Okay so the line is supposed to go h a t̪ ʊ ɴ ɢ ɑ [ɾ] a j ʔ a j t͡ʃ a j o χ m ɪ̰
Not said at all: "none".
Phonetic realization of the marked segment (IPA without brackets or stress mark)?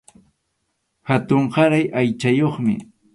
ɾ